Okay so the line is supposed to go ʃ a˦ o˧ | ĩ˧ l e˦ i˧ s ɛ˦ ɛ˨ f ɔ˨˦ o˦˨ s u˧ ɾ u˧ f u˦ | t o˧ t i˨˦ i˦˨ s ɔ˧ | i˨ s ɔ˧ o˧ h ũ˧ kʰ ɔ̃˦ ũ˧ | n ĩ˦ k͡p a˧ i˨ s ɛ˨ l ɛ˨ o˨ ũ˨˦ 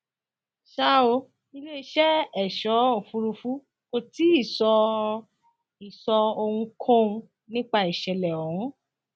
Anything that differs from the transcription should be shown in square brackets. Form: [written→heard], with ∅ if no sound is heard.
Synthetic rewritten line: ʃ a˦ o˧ | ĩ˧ l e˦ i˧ [s→ʃ] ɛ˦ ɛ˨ [f→ʃ] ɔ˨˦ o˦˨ [s→f] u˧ ɾ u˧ f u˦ | [t→k] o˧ t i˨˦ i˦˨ s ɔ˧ | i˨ s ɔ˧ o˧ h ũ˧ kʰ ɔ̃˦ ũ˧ | n ĩ˦ k͡p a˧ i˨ [s→ʃ] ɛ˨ l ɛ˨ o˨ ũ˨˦